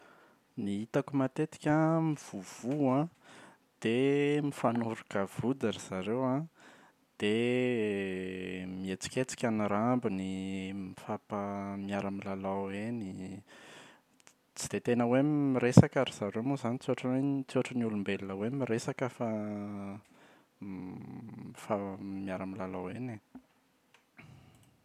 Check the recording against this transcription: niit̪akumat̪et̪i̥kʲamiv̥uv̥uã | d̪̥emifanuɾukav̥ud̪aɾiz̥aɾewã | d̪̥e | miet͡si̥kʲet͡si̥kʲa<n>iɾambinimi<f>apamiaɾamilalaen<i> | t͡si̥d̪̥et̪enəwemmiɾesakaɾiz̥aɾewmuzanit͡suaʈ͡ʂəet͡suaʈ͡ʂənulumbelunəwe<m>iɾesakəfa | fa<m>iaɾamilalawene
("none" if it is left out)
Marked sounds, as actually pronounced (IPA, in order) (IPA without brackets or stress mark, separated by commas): n, f, i, m, m